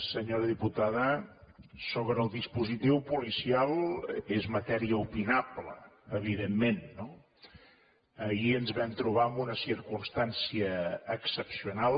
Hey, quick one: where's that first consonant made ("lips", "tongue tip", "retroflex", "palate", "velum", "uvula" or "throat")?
tongue tip